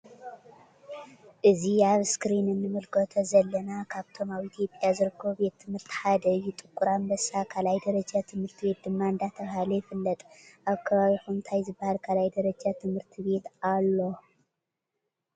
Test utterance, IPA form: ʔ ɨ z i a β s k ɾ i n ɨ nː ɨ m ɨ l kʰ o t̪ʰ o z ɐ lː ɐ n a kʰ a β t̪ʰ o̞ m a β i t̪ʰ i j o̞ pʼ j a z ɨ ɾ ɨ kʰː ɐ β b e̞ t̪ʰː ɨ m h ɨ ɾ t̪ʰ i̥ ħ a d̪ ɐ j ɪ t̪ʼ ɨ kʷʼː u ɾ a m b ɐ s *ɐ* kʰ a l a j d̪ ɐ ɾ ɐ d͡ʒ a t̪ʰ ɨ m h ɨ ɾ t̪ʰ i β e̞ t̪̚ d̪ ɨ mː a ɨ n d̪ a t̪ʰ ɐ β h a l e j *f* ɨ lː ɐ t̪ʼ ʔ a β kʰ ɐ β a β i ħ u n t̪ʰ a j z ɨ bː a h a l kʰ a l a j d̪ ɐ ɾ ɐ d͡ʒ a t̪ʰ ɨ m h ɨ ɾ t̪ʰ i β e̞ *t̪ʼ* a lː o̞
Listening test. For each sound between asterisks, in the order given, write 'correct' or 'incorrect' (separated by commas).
incorrect, correct, incorrect